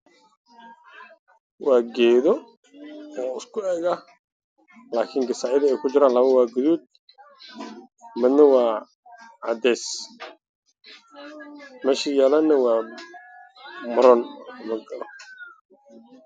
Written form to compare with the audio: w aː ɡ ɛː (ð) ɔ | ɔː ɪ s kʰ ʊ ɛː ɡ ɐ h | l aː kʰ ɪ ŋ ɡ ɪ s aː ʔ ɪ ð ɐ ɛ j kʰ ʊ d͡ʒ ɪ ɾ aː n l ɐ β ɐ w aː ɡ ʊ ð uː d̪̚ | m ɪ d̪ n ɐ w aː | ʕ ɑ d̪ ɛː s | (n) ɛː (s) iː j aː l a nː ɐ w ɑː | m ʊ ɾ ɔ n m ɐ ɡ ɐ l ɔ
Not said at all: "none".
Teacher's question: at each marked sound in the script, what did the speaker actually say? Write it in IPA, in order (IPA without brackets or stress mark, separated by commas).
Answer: ð, m, ʃ